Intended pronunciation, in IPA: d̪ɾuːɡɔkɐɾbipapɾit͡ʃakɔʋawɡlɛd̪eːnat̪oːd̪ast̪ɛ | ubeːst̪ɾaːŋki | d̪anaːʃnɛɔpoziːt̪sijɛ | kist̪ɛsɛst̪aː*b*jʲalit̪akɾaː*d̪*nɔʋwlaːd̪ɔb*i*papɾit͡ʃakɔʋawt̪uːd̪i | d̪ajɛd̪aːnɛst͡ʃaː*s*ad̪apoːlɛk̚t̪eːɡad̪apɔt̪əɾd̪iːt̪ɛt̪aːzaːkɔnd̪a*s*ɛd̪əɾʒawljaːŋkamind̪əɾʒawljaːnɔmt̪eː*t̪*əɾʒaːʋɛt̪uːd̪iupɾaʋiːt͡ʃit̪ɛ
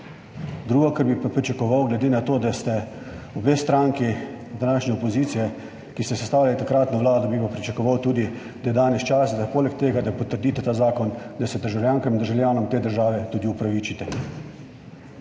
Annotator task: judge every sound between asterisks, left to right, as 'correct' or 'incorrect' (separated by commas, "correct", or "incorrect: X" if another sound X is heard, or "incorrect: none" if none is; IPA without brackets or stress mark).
incorrect: w, incorrect: t̪, correct, correct, correct, incorrect: d̪